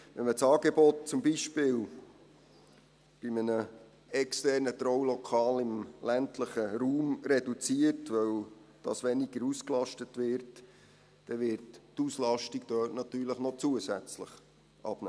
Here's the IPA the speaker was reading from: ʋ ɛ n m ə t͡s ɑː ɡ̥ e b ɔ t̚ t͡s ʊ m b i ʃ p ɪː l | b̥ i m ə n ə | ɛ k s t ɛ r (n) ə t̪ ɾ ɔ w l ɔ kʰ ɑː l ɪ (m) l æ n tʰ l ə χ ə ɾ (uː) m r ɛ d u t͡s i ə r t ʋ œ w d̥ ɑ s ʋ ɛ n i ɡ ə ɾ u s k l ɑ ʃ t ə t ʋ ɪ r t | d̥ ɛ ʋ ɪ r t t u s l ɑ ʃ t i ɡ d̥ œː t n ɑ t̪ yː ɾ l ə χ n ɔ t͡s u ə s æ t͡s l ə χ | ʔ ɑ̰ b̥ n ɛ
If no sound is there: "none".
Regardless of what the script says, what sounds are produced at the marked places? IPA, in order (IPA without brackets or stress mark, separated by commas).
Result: n, m, uː